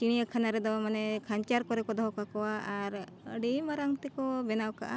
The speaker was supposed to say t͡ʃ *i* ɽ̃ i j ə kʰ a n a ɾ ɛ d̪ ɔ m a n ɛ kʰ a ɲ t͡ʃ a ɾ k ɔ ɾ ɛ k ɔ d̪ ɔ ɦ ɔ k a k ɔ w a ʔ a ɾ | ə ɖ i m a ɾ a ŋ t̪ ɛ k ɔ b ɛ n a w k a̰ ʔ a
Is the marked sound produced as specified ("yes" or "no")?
yes